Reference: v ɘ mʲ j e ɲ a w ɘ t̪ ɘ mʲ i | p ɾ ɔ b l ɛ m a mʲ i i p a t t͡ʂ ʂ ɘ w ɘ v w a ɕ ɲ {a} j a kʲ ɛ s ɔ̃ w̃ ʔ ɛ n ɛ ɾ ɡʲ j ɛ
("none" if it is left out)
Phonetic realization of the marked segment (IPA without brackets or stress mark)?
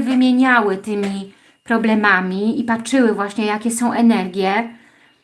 ɛ